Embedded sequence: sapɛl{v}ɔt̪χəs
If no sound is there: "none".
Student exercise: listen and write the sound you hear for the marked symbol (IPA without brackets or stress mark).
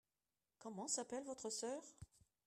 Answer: v